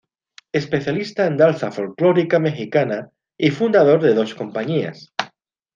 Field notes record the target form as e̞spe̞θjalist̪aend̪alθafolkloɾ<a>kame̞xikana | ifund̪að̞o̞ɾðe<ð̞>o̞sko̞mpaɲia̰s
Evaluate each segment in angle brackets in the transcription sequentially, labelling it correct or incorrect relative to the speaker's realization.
incorrect: i, correct

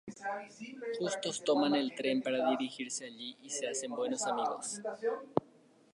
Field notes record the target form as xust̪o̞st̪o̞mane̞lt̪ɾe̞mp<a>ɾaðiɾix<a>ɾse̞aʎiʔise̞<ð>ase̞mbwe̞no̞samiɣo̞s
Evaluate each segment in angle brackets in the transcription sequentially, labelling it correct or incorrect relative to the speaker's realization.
correct, incorrect: i, incorrect: none

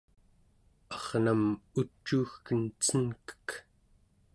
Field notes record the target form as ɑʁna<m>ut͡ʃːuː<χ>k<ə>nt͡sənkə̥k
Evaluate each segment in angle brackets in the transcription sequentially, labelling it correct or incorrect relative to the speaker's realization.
correct, incorrect: x, correct

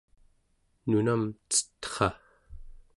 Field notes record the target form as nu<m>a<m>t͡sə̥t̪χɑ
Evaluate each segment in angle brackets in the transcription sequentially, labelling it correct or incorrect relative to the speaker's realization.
incorrect: n, correct

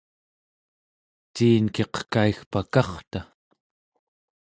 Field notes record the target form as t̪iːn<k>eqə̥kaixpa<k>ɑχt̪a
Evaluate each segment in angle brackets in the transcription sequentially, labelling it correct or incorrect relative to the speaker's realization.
correct, correct

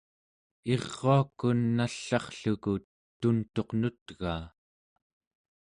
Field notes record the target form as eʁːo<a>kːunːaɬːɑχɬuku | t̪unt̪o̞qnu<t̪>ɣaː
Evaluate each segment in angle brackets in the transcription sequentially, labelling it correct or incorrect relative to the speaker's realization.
correct, correct

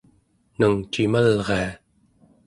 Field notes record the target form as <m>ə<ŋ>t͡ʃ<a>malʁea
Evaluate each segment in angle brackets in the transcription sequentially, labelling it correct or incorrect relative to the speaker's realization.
incorrect: n, correct, incorrect: i

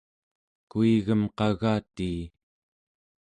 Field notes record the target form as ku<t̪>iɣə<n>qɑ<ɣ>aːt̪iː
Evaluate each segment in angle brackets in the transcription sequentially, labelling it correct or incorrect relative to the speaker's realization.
incorrect: none, incorrect: m, correct

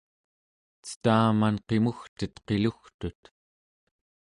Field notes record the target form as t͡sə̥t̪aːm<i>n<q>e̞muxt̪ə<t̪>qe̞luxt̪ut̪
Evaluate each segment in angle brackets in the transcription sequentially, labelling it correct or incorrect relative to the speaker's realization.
incorrect: a, correct, correct

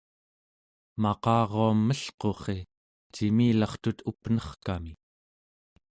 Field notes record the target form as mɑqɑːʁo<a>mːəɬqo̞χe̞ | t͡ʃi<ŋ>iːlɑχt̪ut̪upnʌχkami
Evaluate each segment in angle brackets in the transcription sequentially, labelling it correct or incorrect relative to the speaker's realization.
correct, incorrect: m

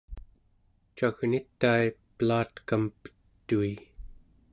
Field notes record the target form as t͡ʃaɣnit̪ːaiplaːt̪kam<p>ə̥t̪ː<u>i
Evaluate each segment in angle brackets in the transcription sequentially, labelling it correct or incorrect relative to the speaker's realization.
correct, correct

